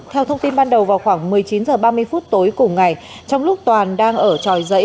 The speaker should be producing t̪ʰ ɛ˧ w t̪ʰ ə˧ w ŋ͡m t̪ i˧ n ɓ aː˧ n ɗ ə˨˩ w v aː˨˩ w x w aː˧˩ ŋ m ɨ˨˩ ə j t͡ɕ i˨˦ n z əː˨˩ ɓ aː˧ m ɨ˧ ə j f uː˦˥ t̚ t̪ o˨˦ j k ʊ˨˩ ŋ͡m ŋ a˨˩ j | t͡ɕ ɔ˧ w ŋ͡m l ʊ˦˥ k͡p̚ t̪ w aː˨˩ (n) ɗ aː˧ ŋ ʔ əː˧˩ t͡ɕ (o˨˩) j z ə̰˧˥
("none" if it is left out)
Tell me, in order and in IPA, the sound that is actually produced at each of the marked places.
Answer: n, ɔ˨˩

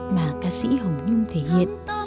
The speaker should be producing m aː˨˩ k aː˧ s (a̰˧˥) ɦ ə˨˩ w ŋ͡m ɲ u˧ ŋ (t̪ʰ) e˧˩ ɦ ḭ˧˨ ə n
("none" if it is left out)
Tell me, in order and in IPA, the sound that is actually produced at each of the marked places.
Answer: ḭ˧˥, t̪ʰ

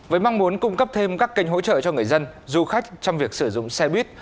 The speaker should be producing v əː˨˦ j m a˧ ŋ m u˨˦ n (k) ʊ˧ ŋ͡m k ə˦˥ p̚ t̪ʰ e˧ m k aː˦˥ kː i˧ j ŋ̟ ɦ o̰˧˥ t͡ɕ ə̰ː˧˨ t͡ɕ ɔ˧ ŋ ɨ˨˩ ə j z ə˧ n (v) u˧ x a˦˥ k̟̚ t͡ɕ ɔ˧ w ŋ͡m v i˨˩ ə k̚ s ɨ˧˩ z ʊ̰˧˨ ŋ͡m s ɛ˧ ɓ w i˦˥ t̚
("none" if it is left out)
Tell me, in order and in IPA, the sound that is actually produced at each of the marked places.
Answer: k, z

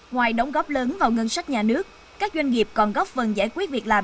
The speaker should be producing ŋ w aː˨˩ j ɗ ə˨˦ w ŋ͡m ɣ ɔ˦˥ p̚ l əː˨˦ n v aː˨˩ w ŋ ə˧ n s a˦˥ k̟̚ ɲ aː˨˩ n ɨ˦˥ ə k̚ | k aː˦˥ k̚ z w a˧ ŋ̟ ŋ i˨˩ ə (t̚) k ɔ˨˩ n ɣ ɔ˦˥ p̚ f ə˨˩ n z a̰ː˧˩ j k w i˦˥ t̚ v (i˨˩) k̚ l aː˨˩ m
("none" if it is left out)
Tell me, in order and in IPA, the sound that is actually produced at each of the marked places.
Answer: p̚, i˨˩

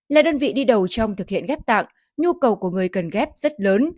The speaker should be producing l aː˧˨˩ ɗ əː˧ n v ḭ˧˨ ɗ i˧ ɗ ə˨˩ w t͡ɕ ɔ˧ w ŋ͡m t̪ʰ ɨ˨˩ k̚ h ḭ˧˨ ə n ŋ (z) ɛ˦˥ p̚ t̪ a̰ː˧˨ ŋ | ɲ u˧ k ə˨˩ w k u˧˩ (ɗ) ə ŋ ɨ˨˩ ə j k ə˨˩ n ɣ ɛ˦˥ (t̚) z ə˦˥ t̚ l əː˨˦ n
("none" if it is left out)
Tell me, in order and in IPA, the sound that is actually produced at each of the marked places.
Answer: ɣ, none, p̚

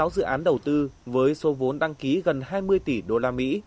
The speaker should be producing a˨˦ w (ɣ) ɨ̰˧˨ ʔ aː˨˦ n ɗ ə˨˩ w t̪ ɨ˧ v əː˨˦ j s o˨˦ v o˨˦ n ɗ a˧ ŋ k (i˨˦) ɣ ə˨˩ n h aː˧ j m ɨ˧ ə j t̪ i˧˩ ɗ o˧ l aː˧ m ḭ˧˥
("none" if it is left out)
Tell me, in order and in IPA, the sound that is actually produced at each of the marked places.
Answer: z, i˨˦

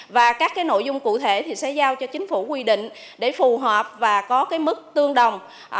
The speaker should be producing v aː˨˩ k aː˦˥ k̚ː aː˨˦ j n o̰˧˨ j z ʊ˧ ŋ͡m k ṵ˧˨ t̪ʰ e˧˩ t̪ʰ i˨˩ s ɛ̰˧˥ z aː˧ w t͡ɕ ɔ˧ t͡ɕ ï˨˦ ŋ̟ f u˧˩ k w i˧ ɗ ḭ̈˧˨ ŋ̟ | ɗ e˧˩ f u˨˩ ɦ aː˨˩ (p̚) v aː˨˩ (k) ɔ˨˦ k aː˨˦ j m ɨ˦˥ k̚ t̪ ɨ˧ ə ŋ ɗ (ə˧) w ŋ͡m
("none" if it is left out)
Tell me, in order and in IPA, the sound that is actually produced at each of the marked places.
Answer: p̚, k, ə˨˩

